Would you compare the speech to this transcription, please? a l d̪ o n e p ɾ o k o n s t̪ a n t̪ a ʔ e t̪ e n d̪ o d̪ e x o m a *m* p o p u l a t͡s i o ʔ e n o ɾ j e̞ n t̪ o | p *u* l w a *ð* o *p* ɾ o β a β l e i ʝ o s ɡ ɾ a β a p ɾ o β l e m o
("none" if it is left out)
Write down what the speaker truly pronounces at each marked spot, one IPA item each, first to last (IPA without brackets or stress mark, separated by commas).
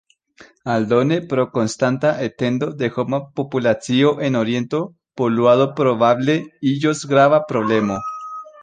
none, o, ð, p